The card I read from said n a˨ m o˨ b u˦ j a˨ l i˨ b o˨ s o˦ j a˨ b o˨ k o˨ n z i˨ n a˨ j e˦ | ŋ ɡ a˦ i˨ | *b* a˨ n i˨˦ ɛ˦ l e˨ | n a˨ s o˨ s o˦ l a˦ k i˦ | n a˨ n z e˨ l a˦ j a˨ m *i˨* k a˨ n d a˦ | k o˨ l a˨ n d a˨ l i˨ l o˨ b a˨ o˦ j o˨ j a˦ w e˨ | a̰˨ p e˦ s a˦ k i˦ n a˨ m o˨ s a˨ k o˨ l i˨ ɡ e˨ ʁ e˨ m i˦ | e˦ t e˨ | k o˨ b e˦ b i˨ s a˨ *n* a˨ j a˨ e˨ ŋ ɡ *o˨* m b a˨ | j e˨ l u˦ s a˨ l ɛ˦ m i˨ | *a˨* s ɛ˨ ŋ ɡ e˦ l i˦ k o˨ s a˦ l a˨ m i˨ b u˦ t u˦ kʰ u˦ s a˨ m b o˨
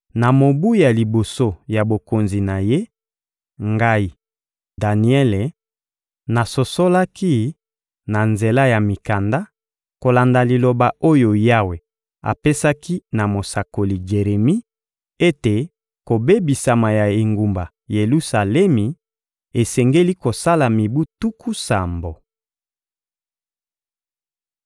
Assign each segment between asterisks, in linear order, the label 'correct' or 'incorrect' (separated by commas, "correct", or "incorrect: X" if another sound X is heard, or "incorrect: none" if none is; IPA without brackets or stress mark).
incorrect: d, correct, incorrect: m, incorrect: u˨, incorrect: e˨